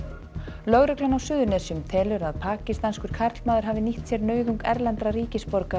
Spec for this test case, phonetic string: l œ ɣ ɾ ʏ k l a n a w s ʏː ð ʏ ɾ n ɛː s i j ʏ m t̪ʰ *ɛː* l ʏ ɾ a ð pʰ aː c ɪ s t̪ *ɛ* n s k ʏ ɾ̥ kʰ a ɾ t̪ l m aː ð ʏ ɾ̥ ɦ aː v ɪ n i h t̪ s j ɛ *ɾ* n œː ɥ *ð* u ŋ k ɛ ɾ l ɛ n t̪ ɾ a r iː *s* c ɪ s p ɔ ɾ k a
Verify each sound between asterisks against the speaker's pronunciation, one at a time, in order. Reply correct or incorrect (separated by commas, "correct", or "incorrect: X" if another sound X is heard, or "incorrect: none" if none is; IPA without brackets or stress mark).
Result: correct, incorrect: a, correct, correct, incorrect: none